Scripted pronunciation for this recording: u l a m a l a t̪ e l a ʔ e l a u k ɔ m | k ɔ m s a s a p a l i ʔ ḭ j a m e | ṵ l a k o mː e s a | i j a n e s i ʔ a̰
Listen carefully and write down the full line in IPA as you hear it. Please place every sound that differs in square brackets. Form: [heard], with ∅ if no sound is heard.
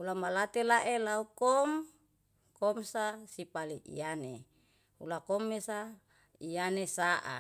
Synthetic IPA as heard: u l a m a l a t̪ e l a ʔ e l a u k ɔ m | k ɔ m s a s [i] p a l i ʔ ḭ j a [n] e | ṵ l a k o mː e s a | i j a n e s [a] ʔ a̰